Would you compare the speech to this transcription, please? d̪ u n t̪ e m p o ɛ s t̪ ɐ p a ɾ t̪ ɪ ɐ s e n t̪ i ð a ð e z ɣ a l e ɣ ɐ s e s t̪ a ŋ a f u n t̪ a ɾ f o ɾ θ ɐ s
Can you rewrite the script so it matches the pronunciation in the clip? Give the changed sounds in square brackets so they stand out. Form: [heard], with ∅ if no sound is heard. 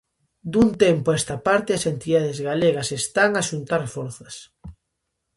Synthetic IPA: d̪ u n t̪ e m p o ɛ s t̪ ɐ p a ɾ t̪ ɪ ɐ s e n t̪ i ð a ð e z ɣ a l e ɣ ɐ s e s t̪ a ŋ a [ʃ] u n t̪ a ɾ f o ɾ θ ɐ s